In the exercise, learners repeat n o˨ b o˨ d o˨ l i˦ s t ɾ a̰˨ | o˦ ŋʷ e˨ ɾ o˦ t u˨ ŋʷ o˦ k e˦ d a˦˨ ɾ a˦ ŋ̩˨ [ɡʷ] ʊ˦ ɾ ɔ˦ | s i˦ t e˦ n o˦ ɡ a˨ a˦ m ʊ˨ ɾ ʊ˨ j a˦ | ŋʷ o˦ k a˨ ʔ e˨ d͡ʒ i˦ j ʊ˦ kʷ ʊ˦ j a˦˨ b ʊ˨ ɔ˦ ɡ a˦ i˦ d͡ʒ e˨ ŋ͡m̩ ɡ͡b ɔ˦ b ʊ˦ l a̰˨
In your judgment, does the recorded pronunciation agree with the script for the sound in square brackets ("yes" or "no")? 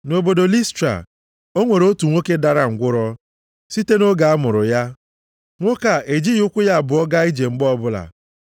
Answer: yes